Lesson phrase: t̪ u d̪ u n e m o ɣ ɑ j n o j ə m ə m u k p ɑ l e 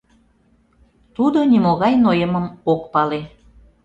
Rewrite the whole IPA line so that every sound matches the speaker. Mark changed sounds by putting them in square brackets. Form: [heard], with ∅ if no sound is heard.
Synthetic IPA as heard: t̪ u d̪ [o] n [i] m o ɣ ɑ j n o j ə m ə m [o] k p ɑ l e

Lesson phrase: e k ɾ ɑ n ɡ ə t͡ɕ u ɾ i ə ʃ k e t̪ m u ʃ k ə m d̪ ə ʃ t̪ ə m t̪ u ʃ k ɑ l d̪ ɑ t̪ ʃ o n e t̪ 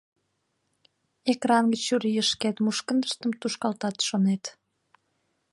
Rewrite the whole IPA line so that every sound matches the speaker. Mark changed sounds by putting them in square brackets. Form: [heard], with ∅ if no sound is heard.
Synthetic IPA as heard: e k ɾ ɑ n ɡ ə t͡ɕ u ɾ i ə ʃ k e t̪ m u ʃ k ə [n] d̪ ə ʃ t̪ ə m t̪ u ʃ k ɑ l [t̪] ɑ t̪ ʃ o n e t̪

